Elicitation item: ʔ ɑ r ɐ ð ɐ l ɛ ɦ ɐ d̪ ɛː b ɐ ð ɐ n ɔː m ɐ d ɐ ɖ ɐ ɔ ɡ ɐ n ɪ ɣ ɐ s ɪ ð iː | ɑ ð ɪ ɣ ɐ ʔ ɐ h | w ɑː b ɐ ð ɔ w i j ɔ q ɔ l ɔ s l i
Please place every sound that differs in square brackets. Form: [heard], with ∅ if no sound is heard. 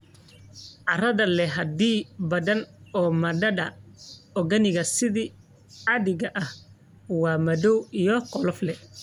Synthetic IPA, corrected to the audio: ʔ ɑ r ɐ ð ɐ l ɛ ɦ ɐ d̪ [iː] b ɐ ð ɐ n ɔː m ɐ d ɐ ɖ ɐ ɔ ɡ ɐ n ɪ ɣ ɐ s ɪ ð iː | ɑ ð ɪ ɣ ɐ ʔ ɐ h | w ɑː [m] ɐ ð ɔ w i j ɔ q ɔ l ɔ [f] l [ɛ]